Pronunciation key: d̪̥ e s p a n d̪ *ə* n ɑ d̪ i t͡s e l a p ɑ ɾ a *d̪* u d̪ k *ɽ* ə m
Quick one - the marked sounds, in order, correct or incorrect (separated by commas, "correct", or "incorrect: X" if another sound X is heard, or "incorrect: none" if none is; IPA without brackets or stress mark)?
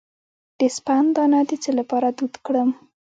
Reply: incorrect: ɑ, correct, correct